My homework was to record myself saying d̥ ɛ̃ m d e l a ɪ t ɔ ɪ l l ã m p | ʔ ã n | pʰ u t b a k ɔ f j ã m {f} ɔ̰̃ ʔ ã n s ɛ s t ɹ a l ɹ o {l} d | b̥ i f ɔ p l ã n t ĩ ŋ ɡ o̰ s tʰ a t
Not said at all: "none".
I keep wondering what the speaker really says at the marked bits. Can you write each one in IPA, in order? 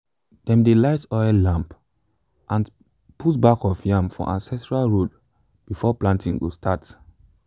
f, none

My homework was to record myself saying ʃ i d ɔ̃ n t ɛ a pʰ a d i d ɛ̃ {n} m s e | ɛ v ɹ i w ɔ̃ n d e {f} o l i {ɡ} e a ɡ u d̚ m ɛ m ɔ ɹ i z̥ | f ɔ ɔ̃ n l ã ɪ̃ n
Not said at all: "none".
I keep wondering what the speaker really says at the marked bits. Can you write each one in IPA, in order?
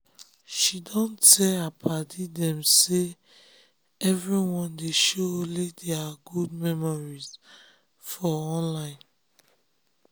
none, ʃ, d

